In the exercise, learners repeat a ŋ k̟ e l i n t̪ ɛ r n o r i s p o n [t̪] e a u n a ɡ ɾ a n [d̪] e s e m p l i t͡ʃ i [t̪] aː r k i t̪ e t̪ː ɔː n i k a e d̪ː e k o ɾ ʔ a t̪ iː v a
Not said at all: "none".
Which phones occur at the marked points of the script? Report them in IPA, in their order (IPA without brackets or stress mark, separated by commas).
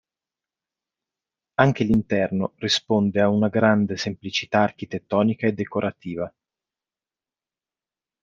d̪, d̪, t̪